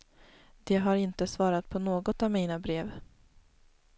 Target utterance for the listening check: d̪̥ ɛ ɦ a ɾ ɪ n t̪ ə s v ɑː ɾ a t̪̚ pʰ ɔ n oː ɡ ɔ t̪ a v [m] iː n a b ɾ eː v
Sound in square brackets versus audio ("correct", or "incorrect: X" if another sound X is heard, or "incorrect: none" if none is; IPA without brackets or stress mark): correct